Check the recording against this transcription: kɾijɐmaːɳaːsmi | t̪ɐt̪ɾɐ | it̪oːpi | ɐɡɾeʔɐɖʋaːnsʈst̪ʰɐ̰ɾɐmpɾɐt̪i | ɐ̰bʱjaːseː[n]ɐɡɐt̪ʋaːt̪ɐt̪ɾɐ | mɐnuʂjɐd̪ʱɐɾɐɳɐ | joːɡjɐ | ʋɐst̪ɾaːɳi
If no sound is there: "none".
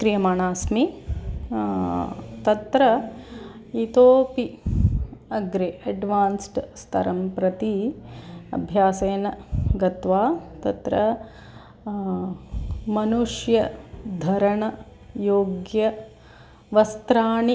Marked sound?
n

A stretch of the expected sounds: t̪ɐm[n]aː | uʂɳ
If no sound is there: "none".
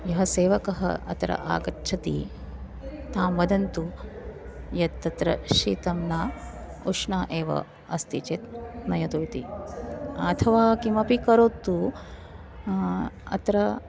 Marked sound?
n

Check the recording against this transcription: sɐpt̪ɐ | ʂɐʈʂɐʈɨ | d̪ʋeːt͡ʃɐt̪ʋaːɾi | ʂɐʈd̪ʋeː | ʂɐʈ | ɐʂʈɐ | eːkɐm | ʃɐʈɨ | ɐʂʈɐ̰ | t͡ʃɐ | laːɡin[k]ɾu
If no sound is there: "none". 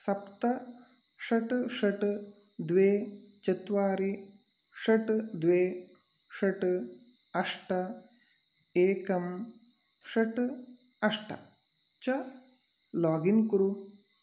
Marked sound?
k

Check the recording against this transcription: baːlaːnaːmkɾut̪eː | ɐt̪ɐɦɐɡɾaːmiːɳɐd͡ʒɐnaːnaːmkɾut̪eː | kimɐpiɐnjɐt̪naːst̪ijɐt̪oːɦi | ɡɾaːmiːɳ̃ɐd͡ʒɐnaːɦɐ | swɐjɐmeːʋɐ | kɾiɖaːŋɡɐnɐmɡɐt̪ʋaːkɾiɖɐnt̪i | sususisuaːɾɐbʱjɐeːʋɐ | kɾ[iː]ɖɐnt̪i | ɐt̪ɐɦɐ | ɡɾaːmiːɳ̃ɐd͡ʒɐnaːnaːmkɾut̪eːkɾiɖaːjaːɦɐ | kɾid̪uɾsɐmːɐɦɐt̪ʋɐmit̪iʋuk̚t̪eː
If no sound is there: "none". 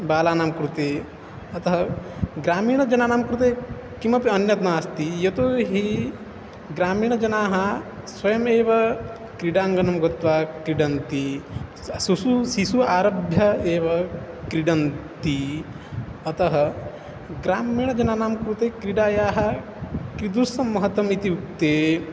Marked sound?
i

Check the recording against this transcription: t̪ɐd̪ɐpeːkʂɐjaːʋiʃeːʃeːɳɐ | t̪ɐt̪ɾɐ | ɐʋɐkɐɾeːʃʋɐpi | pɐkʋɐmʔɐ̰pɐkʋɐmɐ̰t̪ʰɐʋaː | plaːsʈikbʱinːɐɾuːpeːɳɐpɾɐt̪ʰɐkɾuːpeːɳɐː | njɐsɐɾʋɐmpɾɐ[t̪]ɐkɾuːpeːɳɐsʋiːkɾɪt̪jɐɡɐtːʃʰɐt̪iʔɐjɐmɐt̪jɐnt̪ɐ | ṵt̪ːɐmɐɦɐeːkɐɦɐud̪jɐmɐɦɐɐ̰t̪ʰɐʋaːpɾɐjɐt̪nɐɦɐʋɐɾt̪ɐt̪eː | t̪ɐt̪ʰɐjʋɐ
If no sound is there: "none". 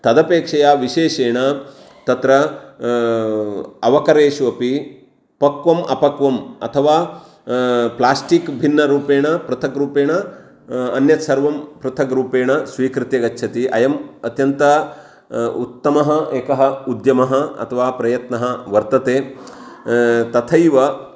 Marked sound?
t̪ʰ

